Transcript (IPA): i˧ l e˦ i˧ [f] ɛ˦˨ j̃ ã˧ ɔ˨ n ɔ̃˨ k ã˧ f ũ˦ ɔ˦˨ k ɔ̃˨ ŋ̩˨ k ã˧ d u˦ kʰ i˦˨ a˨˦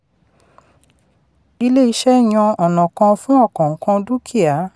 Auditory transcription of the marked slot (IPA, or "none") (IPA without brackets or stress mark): ʃ